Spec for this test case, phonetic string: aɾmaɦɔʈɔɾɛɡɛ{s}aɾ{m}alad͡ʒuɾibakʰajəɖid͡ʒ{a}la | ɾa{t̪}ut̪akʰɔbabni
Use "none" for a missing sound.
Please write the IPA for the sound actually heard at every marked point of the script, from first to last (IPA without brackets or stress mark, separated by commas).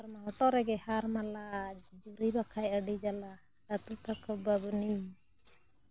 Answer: h, m, a, t̪